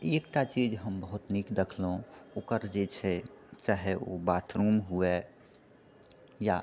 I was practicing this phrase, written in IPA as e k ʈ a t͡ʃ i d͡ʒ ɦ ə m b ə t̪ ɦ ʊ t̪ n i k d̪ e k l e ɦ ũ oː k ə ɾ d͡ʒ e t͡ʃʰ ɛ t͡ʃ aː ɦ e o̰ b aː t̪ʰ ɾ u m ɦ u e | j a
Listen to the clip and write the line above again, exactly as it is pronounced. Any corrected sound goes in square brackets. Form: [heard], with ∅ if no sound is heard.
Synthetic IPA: e k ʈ a t͡ʃ i d͡ʒ ɦ ə m b ə [∅] ɦ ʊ t̪ n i k d̪ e [kʰ] l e ɦ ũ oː k ə ɾ d͡ʒ e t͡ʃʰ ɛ t͡ʃ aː ɦ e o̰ b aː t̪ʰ ɾ u m ɦ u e | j a